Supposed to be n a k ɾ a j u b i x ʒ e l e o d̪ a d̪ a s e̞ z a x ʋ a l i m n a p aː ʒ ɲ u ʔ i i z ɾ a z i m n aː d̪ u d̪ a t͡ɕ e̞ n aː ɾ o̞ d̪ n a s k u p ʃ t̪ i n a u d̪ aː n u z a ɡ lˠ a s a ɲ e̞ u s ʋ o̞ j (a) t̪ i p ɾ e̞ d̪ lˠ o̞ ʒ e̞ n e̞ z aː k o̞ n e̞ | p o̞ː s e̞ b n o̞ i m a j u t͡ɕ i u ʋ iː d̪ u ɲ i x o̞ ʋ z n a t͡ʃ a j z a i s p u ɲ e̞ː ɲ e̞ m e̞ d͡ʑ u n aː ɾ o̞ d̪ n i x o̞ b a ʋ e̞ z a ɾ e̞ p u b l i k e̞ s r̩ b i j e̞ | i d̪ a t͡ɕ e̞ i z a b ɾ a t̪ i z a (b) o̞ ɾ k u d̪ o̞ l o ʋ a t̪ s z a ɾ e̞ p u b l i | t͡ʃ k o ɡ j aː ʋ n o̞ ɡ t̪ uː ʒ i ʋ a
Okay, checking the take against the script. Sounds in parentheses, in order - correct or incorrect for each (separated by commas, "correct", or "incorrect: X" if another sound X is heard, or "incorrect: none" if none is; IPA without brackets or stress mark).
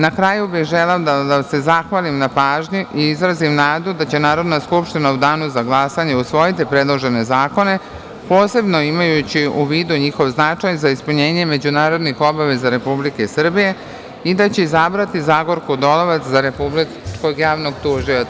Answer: incorrect: i, incorrect: ɡ